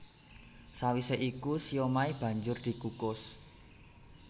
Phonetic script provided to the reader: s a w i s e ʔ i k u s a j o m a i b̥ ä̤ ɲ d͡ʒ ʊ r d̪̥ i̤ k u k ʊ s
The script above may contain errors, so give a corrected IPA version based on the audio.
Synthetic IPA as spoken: s a w i s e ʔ i k u s i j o m a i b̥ ä̤ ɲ d͡ʒ ʊ r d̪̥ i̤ k u k ʊ s